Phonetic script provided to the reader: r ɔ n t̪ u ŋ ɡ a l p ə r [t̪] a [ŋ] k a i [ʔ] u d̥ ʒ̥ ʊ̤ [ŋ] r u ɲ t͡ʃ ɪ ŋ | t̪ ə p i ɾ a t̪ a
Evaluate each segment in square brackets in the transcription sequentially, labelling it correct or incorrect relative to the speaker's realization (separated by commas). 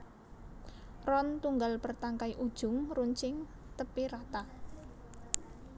correct, correct, correct, correct